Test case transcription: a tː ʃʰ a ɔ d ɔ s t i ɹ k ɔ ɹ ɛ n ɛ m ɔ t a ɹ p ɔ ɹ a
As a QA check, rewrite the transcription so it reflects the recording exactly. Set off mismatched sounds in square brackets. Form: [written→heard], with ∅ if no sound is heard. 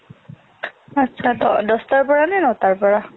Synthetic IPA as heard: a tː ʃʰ a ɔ d ɔ s t [i→a] ɹ [k→p] ɔ ɹ [ɛ→a] n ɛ [m→n] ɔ t a ɹ p ɔ ɹ a